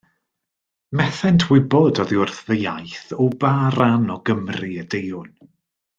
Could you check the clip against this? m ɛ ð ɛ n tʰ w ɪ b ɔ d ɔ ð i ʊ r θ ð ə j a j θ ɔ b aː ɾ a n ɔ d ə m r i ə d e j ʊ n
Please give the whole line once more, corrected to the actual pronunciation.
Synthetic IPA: m ɛ θ ɛ n tʰ w ɪ b ɔ d ɔ ð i ʊ r θ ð ə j a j θ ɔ b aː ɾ a n ɔ ɡ ə m r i ə d e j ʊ n